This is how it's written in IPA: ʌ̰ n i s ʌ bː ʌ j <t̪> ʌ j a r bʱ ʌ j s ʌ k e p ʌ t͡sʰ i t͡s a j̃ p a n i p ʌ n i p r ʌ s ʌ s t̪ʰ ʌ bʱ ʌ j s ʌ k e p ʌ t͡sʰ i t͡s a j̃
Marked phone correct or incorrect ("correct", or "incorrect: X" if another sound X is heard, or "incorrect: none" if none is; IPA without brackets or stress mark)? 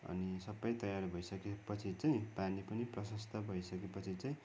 correct